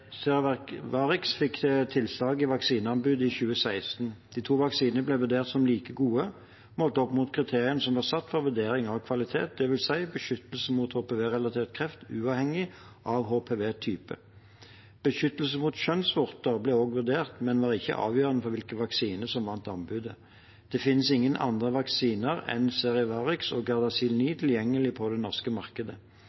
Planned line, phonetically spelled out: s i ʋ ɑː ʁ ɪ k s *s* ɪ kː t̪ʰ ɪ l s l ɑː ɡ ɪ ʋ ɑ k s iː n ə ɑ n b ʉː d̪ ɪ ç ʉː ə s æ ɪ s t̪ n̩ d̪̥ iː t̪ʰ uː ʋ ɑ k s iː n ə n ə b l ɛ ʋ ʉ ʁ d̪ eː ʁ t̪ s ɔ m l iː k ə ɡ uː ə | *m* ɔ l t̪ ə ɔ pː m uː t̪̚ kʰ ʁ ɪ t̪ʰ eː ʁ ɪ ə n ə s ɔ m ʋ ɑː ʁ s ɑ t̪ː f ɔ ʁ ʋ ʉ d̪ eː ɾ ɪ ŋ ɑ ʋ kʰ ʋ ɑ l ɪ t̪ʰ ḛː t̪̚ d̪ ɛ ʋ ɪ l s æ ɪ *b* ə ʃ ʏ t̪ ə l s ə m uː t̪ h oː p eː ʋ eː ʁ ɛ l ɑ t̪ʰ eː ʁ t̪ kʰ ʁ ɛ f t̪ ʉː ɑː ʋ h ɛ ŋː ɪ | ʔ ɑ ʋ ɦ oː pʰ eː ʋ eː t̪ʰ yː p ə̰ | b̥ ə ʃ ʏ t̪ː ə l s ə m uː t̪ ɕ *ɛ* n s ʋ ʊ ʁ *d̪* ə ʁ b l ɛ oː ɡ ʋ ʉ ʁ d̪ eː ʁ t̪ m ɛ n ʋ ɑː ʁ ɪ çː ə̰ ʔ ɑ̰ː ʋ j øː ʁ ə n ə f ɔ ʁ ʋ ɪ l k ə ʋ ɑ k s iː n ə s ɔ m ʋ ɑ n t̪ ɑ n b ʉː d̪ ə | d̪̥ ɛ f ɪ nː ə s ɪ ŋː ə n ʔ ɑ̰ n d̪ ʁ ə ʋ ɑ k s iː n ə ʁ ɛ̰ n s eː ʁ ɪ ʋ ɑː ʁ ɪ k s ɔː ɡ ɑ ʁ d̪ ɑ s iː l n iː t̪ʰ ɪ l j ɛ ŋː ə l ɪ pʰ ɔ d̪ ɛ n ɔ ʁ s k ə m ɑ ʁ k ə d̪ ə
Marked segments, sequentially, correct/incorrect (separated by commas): incorrect, correct, correct, incorrect, incorrect